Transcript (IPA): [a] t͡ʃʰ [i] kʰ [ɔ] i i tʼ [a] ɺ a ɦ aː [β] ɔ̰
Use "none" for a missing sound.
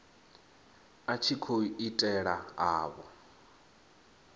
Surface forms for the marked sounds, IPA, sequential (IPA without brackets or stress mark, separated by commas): a, i, o, ɛ, β